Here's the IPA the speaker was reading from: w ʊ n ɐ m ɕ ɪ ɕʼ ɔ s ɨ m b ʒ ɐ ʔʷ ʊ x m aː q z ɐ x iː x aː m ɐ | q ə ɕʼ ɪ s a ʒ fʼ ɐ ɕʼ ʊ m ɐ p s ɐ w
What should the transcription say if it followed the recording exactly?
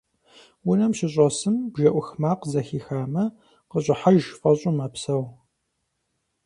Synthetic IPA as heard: w ʊ n ɐ m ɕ ɪ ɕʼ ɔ s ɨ m b ʒ ɐ ʔʷ ʊ x m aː q z ɐ x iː x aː m ɐ | q ə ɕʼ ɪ ħ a ʒ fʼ ɐ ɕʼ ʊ m ɐ p s ɐ w